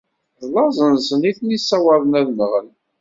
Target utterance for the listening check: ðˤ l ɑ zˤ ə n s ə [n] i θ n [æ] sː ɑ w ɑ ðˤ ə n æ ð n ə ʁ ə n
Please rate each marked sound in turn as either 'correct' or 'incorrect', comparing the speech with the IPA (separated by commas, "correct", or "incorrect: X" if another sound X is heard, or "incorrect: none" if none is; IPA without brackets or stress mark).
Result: correct, incorrect: i